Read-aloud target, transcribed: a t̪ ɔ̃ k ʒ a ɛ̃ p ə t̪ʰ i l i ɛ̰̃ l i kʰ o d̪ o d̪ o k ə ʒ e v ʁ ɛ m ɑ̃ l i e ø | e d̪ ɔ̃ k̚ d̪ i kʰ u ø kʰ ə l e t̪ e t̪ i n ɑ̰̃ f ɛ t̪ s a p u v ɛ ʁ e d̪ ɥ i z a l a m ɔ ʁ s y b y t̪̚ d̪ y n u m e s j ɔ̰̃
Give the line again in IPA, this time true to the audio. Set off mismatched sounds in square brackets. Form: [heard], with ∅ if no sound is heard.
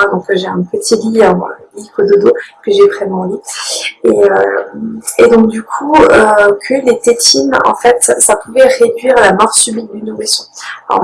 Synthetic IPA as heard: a [d̪] ɔ̃ k ʒ [e] ɛ̃ p ə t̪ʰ i l i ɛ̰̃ l i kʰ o d̪ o d̪ o k ə ʒ e v ʁ ɛ m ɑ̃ l i e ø | e d̪ ɔ̃ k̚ d̪ [y] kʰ u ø kʰ ə l e t̪ e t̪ i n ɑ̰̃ f ɛ t̪ s a p u v ɛ ʁ e d̪ ɥ i [ʁ] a l a m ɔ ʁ s y b [i] t̪̚ d̪ y n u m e s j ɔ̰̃

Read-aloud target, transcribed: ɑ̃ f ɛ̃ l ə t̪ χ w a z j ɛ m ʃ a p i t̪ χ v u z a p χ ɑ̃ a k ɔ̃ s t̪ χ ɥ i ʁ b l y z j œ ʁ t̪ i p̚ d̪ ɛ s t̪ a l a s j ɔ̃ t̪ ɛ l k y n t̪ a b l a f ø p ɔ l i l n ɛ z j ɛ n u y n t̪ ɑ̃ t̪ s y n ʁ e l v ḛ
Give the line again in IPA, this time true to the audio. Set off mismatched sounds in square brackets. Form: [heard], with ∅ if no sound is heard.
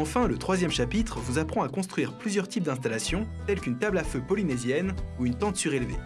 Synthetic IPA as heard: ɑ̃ f ɛ̃ l ə t̪ χ w a z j ɛ m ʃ a p i t̪ χ v u z a p χ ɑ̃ a k ɔ̃ s t̪ χ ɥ i ʁ [p] l y z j œ ʁ t̪ i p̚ d̪ [ɛ̃] s t̪ a l a s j ɔ̃ t̪ ɛ l k y n t̪ a b l a f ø p ɔ l i [∅] n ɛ z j ɛ n u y n t̪ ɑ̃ t̪ s y [∅] ʁ e l v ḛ

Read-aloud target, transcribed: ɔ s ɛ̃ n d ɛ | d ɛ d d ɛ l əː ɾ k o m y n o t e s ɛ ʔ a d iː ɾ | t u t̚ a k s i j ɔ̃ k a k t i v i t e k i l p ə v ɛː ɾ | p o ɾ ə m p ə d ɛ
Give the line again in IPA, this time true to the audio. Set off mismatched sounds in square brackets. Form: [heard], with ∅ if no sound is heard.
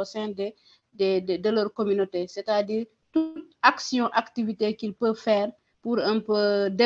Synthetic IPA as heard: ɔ s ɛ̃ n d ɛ | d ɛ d d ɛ l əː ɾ k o m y n o t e s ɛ [t] a d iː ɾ | t u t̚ a k s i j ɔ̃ [ʔ] a k t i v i t e k i l p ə [f] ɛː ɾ | p [u] ɾ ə m p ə d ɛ

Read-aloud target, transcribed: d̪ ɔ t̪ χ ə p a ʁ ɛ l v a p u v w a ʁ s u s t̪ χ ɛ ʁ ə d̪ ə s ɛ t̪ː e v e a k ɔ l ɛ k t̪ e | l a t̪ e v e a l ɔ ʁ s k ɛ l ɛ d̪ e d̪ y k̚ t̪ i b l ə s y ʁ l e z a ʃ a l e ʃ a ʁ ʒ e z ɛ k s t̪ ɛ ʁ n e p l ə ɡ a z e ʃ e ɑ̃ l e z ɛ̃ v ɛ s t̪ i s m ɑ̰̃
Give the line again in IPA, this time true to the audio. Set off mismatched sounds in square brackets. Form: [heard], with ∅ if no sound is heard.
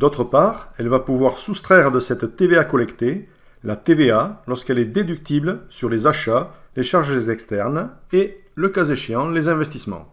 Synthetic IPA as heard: d̪ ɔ t̪ χ ə p a ʁ ɛ l v a p u v w a ʁ s u s t̪ χ ɛ ʁ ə d̪ ə s ɛ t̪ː e v e a k ɔ l ɛ k t̪ e | l a t̪ e v e a l ɔ ʁ s k ɛ l ɛ d̪ e d̪ y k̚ t̪ i b l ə s y ʁ l e z a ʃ a l e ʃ a ʁ ʒ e z ɛ k s t̪ ɛ ʁ n e [∅] l ə [k] a z e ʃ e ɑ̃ l e z ɛ̃ v ɛ s t̪ i s m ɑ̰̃

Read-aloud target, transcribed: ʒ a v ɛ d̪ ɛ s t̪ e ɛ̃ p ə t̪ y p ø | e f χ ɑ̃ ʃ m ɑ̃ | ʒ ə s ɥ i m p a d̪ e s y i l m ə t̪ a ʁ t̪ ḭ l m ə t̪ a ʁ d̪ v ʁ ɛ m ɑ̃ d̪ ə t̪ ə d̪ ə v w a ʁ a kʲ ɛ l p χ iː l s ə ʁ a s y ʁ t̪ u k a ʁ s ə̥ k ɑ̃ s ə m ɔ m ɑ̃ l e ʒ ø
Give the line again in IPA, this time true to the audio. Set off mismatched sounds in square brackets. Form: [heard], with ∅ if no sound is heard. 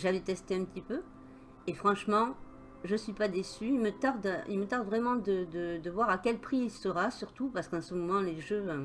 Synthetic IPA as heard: ʒ a v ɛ [t̪] ɛ s t̪ e ɛ̃ p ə t̪ [i] p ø | e f χ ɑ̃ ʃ m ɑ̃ | ʒ ə s ɥ i [∅] p a d̪ e s y i l m ə t̪ a ʁ [d̪] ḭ l m ə t̪ a ʁ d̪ v ʁ ɛ m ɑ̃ d̪ ə [d̪] ə d̪ ə v w a ʁ a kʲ ɛ l p χ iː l s ə ʁ a s y ʁ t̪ u [p] a ʁ s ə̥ k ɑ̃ s ə m ɔ m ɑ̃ l e ʒ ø

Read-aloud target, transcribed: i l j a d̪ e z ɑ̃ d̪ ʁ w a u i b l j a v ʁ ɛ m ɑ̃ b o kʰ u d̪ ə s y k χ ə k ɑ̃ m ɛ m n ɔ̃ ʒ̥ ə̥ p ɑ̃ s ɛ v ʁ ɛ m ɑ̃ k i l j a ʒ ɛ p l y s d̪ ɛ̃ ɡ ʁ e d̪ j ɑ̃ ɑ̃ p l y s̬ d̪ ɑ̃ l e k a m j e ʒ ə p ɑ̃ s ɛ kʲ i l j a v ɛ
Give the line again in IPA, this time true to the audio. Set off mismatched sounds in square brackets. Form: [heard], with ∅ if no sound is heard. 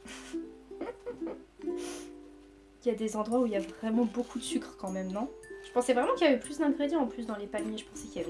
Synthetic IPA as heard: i l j a d̪ e z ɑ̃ d̪ ʁ w a u i [∅] l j a v ʁ ɛ m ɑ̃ b o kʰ u d̪ ə s y k χ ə k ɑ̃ m ɛ m n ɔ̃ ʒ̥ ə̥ p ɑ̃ s ɛ v ʁ ɛ m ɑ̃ k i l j a [v] ɛ p l y s d̪ ɛ̃ ɡ ʁ e d̪ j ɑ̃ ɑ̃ p l y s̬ d̪ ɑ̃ l e [p] a m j e ʒ ə p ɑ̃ s ɛ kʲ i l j a v ɛ

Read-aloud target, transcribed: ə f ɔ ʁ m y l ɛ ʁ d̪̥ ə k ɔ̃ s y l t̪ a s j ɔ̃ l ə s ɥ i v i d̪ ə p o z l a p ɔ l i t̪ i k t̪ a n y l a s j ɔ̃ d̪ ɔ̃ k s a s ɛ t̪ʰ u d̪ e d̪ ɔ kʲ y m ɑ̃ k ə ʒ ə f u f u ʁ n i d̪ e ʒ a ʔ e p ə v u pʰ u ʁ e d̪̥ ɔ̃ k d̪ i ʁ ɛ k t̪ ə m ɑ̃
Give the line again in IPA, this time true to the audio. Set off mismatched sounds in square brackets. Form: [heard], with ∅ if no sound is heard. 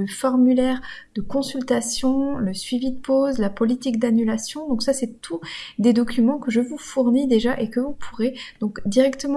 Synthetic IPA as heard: ə f ɔ ʁ m y l ɛ ʁ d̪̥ ə k ɔ̃ s y l t̪ a s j ɔ̃ l ə s ɥ i v i d̪ ə p o z l a p ɔ l i t̪ i k [d̪] a n y l a s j ɔ̃ d̪ ɔ̃ k s a s ɛ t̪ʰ u d̪ e d̪ ɔ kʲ y m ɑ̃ k ə ʒ ə [v] u f u ʁ n i d̪ e ʒ a ʔ e [k] ə v u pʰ u ʁ e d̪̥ ɔ̃ k d̪ i ʁ ɛ k t̪ ə m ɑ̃

